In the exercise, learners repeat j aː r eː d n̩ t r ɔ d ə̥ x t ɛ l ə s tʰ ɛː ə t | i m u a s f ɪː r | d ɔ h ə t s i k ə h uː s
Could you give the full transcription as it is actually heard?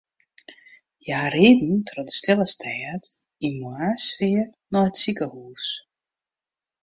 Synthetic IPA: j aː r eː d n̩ t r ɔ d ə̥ s t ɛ l ə s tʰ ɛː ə t | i m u a s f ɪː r | n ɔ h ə t s i k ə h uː s